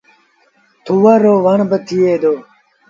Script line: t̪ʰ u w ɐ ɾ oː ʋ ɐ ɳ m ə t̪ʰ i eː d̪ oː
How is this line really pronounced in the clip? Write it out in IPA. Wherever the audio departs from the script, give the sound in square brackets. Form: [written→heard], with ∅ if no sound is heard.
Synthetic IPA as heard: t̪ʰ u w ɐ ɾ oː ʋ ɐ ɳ [m→b] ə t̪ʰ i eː d̪ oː